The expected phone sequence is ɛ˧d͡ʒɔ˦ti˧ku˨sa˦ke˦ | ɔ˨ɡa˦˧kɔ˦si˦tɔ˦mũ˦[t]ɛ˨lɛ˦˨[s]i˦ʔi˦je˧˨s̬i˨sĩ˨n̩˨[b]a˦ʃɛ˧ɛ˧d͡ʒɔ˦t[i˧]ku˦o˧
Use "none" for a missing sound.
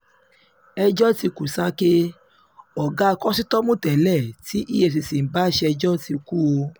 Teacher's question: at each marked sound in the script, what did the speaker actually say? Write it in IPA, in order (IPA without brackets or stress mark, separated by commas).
t, t, b, i˧